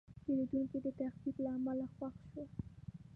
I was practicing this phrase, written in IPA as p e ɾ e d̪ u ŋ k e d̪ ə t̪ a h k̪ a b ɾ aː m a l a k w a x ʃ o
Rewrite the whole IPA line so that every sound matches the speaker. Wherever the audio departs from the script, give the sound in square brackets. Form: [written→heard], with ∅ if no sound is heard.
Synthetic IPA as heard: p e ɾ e d̪ u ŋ k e d̪ ə t̪ a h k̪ [a→i] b [ɾ→l] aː m a l a [k→x] w a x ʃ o

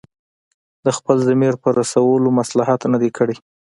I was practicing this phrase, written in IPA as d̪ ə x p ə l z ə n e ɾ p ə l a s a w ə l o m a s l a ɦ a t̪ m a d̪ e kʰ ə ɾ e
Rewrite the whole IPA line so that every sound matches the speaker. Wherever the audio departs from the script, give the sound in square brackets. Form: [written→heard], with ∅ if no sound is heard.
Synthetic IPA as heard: d̪ ə x p ə l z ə [n→m] e ɾ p ə [l→ɾ] a s a w ə l o m a s l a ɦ a t̪ [m→n] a d̪ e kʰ ə [ɾ→ɽ] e

